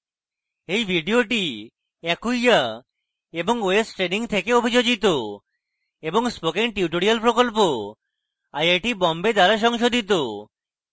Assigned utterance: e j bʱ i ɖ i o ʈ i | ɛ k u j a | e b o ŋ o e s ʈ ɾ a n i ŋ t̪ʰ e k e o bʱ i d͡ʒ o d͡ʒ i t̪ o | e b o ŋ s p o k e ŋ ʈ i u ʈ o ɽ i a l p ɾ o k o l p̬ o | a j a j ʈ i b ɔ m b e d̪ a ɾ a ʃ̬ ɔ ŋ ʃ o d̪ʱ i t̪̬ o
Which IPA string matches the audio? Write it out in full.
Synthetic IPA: e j bʱ i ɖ i o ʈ i | ɛ k u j a | e b o ŋ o e s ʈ ɾ e n i ŋ t̪ʰ e k e o bʱ i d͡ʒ o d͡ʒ i t̪ o | e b o ŋ s p o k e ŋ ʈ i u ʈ o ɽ i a l p ɾ o k o l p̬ o | a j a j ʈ i b ɔ m b e d̪ a ɾ a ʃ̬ ɔ ŋ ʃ o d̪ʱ i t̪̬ o